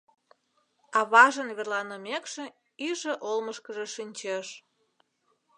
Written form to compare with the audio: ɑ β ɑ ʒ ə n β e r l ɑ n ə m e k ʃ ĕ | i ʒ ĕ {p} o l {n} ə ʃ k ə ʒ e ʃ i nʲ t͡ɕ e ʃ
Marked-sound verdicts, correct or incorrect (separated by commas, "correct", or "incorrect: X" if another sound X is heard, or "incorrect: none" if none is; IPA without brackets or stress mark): incorrect: ʔ, incorrect: m